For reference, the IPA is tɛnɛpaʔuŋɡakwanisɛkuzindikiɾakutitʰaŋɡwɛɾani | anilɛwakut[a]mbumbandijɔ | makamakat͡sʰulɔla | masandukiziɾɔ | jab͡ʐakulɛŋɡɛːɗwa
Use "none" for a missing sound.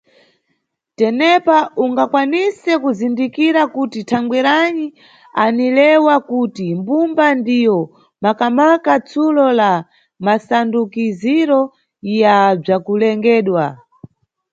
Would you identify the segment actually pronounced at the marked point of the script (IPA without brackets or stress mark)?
i